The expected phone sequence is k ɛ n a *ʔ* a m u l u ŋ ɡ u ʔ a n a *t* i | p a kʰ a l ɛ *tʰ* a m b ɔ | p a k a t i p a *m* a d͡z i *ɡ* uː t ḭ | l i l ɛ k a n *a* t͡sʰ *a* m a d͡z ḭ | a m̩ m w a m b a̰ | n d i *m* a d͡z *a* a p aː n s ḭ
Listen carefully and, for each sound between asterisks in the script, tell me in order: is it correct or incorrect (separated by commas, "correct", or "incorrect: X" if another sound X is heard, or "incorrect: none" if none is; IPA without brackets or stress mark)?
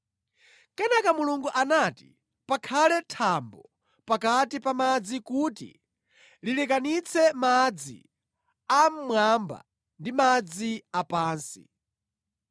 incorrect: k, correct, correct, correct, incorrect: k, incorrect: i, incorrect: ɛ, correct, incorrect: i